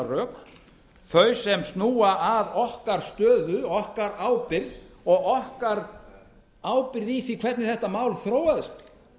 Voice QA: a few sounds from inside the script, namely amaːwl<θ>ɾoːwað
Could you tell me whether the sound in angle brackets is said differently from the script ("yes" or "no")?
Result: no